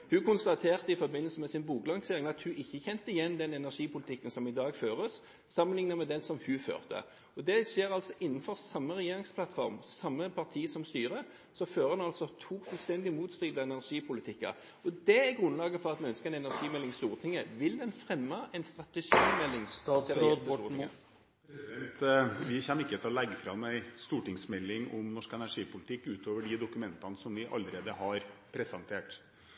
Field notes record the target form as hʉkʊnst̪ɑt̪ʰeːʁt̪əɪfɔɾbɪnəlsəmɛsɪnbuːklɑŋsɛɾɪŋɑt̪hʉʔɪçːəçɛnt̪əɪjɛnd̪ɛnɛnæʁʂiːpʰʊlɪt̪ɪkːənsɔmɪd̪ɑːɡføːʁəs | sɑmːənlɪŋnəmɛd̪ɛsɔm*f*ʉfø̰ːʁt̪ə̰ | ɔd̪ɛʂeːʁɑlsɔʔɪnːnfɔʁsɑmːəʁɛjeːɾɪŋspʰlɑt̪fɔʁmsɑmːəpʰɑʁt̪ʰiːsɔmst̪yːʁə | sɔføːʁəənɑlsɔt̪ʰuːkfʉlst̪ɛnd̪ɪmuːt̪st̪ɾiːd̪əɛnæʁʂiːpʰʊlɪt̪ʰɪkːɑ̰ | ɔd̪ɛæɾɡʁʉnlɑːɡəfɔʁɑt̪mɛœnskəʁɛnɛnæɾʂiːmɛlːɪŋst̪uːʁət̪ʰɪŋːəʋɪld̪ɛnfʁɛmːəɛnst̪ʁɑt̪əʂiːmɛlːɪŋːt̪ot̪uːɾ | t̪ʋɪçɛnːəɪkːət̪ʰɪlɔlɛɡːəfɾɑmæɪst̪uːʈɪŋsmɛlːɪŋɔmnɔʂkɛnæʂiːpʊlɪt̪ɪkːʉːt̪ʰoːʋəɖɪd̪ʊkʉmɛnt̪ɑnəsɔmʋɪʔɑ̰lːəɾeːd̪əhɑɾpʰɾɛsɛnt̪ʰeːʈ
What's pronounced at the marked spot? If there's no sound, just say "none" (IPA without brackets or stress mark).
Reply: h